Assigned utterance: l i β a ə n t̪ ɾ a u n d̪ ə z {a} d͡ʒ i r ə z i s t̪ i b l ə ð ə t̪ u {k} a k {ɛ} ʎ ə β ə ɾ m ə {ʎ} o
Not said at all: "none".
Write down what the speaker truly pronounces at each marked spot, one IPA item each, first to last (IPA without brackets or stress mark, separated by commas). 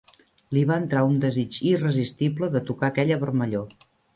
i, k, ɛ, ʎ